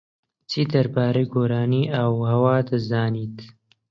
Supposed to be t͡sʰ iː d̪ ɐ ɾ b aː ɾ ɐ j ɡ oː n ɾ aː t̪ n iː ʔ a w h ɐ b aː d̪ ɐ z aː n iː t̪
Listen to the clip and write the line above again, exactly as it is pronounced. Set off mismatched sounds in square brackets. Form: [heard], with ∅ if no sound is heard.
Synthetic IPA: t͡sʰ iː d̪ ɐ ɾ b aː ɾ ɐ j ɡ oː [∅] ɾ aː [∅] n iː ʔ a w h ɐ [w] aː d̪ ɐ z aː n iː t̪